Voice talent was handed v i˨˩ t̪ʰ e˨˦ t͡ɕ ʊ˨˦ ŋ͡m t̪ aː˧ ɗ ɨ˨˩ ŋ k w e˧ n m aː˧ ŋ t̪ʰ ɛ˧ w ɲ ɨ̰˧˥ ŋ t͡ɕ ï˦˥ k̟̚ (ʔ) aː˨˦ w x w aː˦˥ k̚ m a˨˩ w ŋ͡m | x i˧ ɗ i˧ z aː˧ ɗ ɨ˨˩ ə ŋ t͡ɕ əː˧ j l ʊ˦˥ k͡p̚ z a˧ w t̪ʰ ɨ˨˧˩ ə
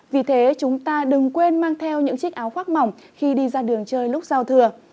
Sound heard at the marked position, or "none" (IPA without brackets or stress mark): ʔ